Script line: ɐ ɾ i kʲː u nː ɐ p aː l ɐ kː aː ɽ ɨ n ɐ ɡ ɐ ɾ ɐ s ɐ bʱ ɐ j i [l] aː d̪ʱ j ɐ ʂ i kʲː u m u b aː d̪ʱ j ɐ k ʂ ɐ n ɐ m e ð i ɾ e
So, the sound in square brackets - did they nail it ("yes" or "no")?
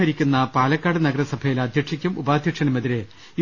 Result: yes